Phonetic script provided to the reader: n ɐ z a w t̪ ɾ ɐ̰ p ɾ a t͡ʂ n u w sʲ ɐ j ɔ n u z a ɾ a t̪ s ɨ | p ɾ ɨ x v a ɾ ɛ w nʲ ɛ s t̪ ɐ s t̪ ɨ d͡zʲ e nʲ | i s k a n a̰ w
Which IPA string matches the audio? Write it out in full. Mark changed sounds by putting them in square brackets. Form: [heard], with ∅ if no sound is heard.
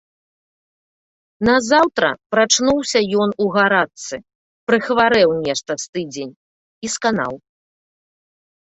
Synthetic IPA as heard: n ɐ z a w t̪ ɾ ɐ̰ p ɾ a t͡ʂ n u w sʲ ɐ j ɔ n u [ɣ] a ɾ a t̪ s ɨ | p ɾ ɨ x v a ɾ ɛ w nʲ ɛ [ʂ] t̪ ɐ s t̪ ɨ d͡zʲ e nʲ | i s k a n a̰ w